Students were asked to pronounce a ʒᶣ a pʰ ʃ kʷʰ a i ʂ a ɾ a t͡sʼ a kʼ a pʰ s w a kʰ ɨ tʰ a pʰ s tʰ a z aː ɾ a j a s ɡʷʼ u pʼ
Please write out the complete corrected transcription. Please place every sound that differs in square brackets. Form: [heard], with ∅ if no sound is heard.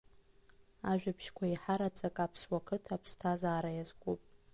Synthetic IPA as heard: a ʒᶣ a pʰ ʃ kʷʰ a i [ħ] a ɾ a t͡sʼ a kʼ a pʰ s w a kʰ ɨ tʰ a pʰ s tʰ a z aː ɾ a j a [z] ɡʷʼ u pʼ